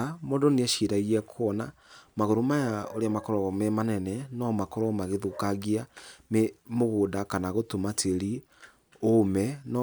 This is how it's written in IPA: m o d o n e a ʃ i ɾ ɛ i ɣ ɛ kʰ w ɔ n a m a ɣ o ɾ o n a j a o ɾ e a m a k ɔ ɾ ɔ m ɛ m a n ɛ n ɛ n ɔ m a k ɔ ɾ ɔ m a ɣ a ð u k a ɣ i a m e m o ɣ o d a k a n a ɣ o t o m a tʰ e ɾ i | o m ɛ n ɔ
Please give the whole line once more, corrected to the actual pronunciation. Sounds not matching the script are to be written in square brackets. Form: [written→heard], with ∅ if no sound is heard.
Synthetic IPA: m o d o n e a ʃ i ɾ [ɛ→a] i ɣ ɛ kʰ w ɔ n a m a ɣ o ɾ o [n→m] a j a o ɾ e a m a k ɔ ɾ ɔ m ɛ m a n ɛ n ɛ n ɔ m a k ɔ ɾ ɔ m a ɣ [a→e] ð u k a ɣ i a m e m o ɣ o d a k a n a ɣ o t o m a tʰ e ɾ i | o m ɛ n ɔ

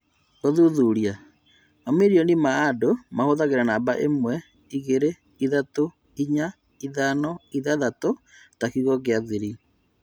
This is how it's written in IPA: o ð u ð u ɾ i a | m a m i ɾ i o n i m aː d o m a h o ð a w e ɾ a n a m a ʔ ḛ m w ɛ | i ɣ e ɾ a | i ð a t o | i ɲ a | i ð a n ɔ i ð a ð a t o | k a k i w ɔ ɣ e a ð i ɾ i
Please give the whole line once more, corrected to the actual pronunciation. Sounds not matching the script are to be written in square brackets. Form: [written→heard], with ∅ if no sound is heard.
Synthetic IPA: o ð u ð u ɾ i a | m a m i ɾ i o n i m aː d o m a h o ð a [w→ɣ] e ɾ a n a [m→b] a ʔ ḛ m w ɛ | i ɣ e ɾ [a→e] | i ð a t o | i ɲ a | i ð a n ɔ i ð a ð a t o | [k→t] a k i [w→ɣ] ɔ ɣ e a ð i ɾ i

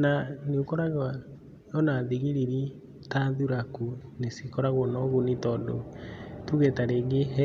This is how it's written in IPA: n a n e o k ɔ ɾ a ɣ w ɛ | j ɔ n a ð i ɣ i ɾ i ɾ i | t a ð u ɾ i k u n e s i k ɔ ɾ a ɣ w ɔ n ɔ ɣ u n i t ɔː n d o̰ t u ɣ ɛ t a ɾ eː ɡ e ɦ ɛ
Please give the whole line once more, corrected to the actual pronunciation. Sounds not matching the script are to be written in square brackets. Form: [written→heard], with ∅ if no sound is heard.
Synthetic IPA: n a n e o k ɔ ɾ a ɣ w [ɛ→a] | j ɔ n a ð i ɣ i ɾ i ɾ i | t a ð u ɾ [i→a] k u n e s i k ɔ ɾ a ɣ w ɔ n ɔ ɣ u n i t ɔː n d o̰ t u ɣ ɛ t a ɾ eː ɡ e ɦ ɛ

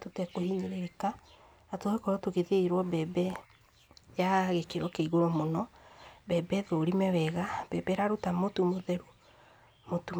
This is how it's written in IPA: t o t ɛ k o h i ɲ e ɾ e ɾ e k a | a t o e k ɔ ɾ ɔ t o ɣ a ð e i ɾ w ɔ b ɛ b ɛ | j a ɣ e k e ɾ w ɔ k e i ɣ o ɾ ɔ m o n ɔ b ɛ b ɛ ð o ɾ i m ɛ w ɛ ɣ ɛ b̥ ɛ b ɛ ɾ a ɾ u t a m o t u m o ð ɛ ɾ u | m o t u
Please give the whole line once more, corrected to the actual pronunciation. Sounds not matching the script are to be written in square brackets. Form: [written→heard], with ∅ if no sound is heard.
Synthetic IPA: t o t ɛ k o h i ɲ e ɾ e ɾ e k a | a t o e k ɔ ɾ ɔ t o ɣ [a→e] ð e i ɾ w ɔ b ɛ b ɛ | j a ɣ e k e ɾ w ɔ k e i ɣ o ɾ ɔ m o n ɔ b ɛ b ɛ ð o ɾ i m ɛ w ɛ ɣ [ɛ→a] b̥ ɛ b ɛ ɾ a ɾ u t a m o t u m o ð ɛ ɾ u | m o t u

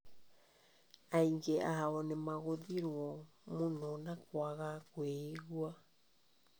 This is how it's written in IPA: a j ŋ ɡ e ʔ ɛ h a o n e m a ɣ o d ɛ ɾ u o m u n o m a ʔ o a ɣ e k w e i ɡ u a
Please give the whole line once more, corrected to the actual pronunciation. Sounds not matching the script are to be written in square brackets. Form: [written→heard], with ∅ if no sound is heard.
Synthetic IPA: a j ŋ ɡ e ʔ [ɛ→a] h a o n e m a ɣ o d [ɛ→i] ɾ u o m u n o [m→n] a [ʔ→k] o a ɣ [e→a] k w e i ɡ u a

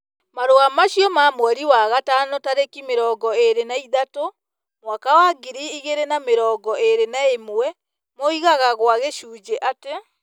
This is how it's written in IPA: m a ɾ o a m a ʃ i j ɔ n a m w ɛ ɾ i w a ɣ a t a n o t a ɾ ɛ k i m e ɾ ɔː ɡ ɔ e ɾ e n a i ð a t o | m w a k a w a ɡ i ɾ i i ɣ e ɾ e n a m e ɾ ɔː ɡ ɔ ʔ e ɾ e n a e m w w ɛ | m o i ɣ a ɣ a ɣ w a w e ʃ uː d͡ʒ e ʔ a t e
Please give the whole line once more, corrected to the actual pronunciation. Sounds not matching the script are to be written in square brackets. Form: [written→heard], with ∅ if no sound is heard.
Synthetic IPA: m a ɾ o a m a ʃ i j ɔ [n→m] a m w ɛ ɾ i w a ɣ a t a n o t a ɾ [ɛ→e] k i m e ɾ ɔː ɡ ɔ e ɾ e n a i ð a t o | m w a k a w a ɡ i ɾ i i ɣ e ɾ e n a m e ɾ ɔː ɡ ɔ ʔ e ɾ e n a e m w w ɛ | m o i ɣ a ɣ a ɣ w a [w→ɣ] e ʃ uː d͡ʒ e ʔ a t e

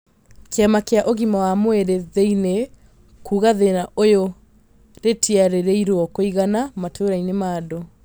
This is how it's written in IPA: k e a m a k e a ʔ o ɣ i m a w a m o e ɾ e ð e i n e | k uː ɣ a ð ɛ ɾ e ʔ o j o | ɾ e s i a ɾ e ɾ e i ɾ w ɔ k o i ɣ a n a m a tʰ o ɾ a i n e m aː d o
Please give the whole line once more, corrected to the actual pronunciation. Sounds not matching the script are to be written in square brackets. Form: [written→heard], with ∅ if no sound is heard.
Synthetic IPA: k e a m a k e a ʔ o ɣ i m a w a m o e ɾ e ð e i n e | k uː ɣ a ð [ɛ→e] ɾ [e→a] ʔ o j o | ɾ e [s→t] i a ɾ e ɾ e i ɾ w ɔ k o i ɣ a n a m a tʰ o ɾ a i n e m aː d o

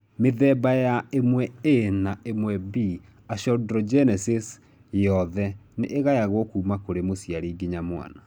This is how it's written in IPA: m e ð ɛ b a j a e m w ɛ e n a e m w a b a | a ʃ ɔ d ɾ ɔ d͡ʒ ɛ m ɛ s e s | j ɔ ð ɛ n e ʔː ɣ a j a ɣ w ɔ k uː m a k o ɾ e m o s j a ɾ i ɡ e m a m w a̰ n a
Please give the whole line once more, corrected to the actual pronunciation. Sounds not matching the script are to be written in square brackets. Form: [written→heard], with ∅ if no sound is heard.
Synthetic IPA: m e ð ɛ b a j a e m w ɛ e n a e m w [a→ɛ] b [a→i] | a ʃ ɔ d ɾ ɔ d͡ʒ ɛ [m→n] ɛ s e s | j ɔ ð ɛ n e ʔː ɣ a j a ɣ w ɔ k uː m a k o ɾ e m o s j a ɾ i ɡ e [m→ɲ] a m w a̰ n a

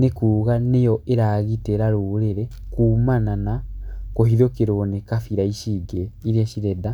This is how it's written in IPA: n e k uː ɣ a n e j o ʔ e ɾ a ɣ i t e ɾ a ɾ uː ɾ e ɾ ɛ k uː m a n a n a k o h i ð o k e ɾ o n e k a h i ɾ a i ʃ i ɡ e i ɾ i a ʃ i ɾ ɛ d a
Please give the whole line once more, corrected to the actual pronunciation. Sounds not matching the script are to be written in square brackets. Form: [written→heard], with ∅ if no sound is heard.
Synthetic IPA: n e k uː ɣ a n e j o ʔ e ɾ a ɣ i t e ɾ a ɾ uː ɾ e ɾ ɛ k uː m a n a n a k o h i ð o k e ɾ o n e k a [h→f] i ɾ a i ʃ i ɡ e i ɾ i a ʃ i ɾ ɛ d a

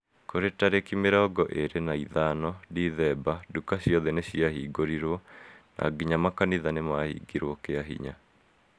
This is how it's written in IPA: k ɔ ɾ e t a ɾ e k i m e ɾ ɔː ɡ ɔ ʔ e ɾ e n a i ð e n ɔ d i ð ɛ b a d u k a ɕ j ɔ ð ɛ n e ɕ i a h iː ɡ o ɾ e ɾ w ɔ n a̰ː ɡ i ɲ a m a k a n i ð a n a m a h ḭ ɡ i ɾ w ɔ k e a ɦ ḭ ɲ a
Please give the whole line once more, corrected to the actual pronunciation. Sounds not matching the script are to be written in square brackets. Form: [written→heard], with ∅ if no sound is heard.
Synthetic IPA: k [ɔ→o] ɾ e t a ɾ e k i m e ɾ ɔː ɡ ɔ ʔ e ɾ e n a i ð [e→a] n ɔ d i ð ɛ b a d u k a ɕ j ɔ ð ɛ n e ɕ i a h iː ɡ o ɾ [e→i] ɾ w ɔ n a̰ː ɡ i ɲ a m a k a n i ð a n [a→e] m a h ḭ ɡ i ɾ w ɔ k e a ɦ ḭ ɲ a

